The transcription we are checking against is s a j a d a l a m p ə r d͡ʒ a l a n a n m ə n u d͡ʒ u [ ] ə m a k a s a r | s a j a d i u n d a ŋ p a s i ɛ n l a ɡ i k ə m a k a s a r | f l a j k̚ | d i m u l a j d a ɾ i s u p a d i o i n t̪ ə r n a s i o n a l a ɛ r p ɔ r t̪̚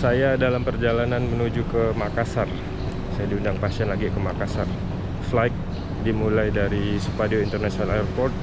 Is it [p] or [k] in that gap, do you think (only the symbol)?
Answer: k